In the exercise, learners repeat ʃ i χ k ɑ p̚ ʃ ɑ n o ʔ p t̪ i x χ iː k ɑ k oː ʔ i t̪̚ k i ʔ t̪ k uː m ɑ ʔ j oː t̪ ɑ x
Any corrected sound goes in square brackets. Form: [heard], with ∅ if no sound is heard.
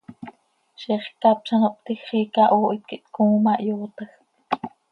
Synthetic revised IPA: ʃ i χ k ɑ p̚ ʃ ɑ n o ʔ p t̪ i x χ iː k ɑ [ʔ] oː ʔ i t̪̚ k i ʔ t̪ k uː m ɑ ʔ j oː t̪ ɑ x